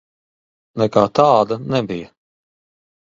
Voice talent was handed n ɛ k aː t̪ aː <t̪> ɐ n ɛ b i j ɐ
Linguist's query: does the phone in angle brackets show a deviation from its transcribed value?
yes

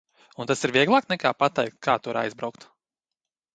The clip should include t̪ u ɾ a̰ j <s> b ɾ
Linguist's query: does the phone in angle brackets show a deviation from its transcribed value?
yes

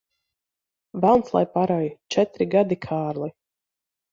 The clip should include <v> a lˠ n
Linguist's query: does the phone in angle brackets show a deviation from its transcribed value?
no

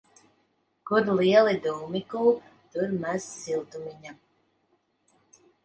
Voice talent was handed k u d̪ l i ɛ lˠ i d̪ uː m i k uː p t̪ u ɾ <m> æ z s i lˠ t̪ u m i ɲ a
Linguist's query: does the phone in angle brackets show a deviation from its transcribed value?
no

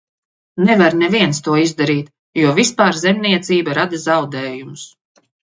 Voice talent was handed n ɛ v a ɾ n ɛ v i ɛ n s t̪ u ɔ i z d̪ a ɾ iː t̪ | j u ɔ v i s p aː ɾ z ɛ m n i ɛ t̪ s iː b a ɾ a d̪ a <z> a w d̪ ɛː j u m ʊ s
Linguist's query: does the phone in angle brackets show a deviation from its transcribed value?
no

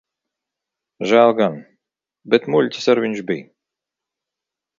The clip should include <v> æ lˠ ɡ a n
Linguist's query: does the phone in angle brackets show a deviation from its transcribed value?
yes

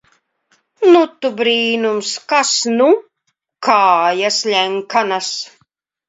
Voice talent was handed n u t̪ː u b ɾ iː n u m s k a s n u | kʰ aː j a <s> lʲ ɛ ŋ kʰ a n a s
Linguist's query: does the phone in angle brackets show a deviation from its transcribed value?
no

